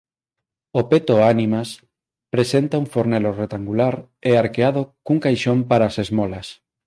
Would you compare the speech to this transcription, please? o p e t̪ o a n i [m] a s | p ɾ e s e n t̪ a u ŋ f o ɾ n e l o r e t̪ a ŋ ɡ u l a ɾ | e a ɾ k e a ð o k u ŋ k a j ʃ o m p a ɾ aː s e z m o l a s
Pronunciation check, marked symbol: correct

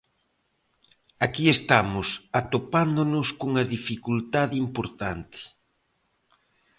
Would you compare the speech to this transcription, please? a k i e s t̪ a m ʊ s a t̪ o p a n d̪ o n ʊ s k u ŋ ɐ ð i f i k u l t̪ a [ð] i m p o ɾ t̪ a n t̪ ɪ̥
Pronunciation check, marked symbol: correct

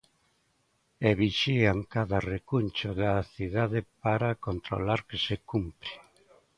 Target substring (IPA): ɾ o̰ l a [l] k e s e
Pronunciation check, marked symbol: incorrect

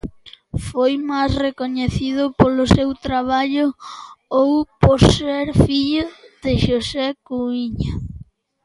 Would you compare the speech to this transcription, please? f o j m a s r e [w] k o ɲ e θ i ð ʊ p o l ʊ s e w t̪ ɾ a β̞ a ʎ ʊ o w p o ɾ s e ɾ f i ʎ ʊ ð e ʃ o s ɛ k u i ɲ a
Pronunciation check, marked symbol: incorrect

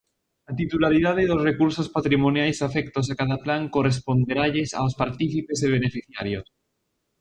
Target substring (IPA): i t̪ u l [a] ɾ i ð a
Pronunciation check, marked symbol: correct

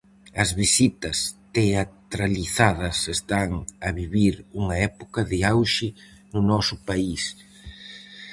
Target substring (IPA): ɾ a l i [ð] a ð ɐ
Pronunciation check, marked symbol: incorrect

